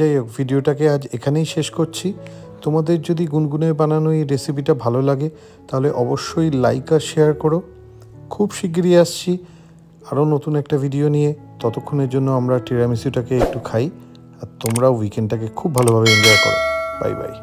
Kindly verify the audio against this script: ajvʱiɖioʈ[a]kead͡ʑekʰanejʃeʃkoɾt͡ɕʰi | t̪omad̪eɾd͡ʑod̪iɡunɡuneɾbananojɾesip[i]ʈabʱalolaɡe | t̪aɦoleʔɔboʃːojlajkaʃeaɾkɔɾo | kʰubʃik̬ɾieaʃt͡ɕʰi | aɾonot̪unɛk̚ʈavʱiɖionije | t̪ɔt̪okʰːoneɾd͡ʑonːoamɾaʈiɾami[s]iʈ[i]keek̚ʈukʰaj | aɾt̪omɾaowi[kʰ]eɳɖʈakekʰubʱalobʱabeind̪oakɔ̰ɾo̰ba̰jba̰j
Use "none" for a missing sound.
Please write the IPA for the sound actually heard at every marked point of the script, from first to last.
a, i, s, a, k

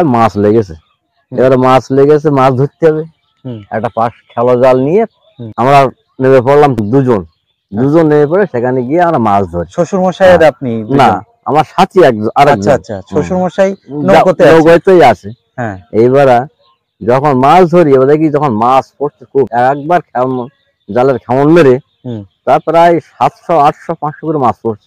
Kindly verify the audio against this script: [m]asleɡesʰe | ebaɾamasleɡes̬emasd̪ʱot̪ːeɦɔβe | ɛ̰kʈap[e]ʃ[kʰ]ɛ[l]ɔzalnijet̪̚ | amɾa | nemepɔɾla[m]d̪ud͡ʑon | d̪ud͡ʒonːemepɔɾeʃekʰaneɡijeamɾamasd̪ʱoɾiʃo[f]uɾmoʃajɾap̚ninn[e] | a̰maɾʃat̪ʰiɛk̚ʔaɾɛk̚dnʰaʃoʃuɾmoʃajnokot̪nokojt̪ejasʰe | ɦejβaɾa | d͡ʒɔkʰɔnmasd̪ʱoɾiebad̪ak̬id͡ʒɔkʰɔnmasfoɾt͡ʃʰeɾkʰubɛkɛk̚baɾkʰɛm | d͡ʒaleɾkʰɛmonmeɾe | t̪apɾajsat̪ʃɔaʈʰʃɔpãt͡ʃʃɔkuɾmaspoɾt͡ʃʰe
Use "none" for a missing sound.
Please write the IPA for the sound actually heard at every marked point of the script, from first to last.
m, a, kʰ, l, m, ʃ, a

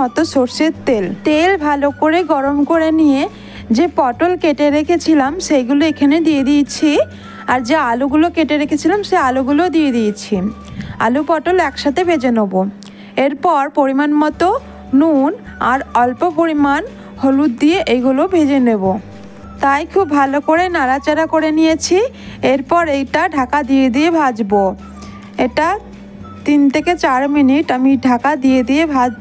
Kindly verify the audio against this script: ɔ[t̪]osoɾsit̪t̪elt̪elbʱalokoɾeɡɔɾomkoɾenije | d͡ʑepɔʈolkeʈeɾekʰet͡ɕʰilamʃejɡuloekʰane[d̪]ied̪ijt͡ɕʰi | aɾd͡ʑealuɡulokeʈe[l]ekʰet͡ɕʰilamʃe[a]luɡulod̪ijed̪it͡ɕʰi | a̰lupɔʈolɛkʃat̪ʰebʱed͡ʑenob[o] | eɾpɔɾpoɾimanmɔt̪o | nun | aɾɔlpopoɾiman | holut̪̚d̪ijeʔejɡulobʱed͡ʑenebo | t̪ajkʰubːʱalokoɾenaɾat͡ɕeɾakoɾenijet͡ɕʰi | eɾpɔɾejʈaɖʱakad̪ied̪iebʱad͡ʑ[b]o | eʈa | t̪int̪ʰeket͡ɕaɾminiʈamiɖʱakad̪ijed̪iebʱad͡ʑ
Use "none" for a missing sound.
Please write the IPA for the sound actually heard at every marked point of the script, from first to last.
t̪, d̪, ɾ, a, o, b

